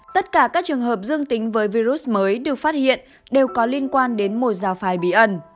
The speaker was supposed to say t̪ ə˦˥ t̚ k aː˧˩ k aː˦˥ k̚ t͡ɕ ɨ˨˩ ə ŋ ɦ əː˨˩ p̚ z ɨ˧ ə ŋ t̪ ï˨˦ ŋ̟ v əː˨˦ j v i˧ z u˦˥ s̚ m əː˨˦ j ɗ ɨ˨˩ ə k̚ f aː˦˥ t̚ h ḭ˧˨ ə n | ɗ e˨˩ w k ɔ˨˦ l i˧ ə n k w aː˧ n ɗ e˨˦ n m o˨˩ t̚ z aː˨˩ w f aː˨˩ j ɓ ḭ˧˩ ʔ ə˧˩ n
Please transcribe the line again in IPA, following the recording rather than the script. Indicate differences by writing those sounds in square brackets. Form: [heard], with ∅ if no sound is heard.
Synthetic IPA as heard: t̪ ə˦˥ t̚ k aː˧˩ k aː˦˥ k̚ t͡ɕ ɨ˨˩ ə ŋ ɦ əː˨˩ p̚ z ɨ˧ ə ŋ t̪ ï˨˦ ŋ̟ v əː˨˦ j v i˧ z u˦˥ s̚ m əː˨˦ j ɗ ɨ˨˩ ə k̚ f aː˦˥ t̚ h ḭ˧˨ ə n | ɗ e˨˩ w k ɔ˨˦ l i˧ ə n k w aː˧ n ɗ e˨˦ n m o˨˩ t̚ z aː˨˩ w f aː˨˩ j ɓ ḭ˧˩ ʔ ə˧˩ n

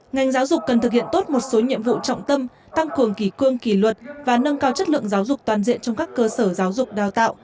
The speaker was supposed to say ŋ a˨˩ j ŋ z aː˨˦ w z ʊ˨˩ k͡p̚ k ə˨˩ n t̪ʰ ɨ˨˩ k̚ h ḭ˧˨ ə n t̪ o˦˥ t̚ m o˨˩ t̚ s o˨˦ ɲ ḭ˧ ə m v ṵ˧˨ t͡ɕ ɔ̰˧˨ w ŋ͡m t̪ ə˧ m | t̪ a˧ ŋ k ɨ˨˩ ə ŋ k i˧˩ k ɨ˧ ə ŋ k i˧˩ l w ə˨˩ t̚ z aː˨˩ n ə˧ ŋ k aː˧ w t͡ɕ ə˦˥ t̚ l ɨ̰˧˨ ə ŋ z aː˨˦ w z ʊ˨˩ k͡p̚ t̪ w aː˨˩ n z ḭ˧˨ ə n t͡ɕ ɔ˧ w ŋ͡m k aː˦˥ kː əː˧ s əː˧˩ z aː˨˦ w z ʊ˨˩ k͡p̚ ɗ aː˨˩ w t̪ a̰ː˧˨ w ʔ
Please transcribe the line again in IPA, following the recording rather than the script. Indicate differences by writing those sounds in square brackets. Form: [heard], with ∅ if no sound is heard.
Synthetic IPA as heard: ŋ a˨˩ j ŋ z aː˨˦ w z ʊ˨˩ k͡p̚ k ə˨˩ n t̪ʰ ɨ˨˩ k̚ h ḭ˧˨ ə n t̪ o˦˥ t̚ m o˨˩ t̚ s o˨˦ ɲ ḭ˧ ə m v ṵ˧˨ t͡ɕ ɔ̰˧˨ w ŋ͡m t̪ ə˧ m | t̪ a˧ ŋ k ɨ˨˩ ə ŋ k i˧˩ k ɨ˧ ə ŋ k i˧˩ l w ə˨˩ t̚ [v] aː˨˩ n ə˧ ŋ k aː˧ w t͡ɕ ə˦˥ t̚ l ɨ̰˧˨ ə ŋ z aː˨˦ w z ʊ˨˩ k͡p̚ t̪ w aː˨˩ n z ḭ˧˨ ə n t͡ɕ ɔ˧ w ŋ͡m k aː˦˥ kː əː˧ s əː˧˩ z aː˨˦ w z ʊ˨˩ k͡p̚ ɗ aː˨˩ w t̪ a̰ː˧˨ w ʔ

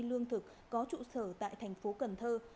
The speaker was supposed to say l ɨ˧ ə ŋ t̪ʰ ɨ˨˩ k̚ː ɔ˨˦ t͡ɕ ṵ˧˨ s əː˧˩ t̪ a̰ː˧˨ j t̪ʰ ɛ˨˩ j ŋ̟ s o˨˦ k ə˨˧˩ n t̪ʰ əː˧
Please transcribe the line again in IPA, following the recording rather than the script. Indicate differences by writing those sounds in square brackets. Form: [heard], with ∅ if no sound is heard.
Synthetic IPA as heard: l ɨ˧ ə ŋ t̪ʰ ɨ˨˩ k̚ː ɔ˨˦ t͡ɕ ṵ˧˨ s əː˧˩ t̪ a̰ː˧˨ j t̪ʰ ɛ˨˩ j ŋ̟ [f] o˨˦ k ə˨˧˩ n t̪ʰ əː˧

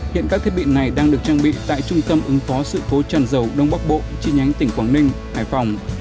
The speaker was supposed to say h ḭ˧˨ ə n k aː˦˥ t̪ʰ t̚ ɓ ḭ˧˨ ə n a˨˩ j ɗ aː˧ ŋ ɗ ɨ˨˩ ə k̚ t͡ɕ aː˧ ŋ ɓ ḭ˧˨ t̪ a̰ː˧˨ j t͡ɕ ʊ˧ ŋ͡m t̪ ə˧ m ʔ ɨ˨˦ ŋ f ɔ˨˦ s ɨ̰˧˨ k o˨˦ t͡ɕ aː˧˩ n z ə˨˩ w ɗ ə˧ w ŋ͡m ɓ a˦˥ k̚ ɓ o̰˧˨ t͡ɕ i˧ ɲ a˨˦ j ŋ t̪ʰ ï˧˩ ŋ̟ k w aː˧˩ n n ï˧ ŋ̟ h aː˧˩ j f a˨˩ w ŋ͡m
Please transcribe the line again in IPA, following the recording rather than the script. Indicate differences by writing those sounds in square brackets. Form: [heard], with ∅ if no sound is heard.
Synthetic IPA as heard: h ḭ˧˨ ə n k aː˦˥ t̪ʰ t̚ ɓ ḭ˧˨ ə n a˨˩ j ɗ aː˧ ŋ ɗ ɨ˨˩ ə k̚ t͡ɕ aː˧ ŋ ɓ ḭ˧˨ t̪ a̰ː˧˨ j t͡ɕ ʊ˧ ŋ͡m t̪ ə˧ m ʔ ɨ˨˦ ŋ f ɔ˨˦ s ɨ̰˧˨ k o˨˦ t͡ɕ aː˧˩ n z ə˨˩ w ɗ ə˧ w ŋ͡m ɓ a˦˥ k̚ ɓ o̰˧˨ t͡ɕ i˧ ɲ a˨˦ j ŋ [t̪] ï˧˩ ŋ̟ k w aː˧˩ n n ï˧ ŋ̟ h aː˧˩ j f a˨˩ w ŋ͡m

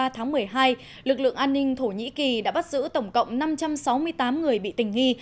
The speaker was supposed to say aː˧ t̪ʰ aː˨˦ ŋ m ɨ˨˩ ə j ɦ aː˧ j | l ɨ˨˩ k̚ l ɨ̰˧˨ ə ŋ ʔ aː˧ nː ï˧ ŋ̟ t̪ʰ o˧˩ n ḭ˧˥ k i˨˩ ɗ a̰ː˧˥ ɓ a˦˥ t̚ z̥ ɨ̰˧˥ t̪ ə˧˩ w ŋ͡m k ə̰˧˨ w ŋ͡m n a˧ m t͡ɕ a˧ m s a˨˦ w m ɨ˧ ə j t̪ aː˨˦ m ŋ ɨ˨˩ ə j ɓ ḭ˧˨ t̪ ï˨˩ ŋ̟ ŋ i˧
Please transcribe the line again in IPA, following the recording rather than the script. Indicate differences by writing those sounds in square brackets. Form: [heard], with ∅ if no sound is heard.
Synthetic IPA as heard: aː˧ t̪ʰ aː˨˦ ŋ m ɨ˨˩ ə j ɦ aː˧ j | l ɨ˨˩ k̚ l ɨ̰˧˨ ə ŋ ʔ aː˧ nː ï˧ ŋ̟ t̪ʰ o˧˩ [ɲ] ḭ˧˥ k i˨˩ ɗ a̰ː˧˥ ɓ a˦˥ t̚ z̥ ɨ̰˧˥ t̪ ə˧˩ w ŋ͡m k ə̰˧˨ w ŋ͡m n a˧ m t͡ɕ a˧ m s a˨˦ w m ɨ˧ ə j t̪ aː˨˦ m ŋ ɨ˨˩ ə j ɓ ḭ˧˨ t̪ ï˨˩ ŋ̟ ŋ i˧

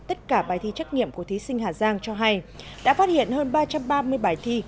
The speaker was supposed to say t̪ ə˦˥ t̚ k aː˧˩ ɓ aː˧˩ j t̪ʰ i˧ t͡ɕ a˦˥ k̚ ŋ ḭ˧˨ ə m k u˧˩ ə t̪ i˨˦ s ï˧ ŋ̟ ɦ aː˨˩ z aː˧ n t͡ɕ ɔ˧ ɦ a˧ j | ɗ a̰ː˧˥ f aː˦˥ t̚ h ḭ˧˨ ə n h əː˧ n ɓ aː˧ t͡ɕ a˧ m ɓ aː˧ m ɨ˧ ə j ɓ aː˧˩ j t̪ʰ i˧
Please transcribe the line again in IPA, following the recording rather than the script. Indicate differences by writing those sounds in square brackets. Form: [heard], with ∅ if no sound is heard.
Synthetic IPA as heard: t̪ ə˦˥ t̚ k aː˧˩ ɓ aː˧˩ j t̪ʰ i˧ t͡ɕ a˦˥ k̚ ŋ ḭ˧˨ ə m k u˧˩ ə t̪ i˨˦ s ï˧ ŋ̟ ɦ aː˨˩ z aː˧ [ŋ] t͡ɕ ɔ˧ ɦ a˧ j | ɗ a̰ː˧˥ f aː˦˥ t̚ h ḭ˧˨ ə n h əː˧ n ɓ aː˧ t͡ɕ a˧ m ɓ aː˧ m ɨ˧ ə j ɓ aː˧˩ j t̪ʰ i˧

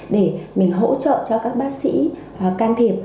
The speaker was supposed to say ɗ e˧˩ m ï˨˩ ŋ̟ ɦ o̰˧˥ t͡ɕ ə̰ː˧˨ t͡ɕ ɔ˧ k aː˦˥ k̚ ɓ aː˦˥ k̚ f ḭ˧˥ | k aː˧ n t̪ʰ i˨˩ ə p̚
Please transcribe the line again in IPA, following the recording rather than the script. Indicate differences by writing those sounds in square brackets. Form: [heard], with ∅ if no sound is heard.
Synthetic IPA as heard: ɗ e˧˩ m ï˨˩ ŋ̟ ɦ o̰˧˥ t͡ɕ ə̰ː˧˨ t͡ɕ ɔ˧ k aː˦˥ k̚ ɓ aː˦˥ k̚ [s] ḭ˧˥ | k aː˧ n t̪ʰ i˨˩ ə p̚

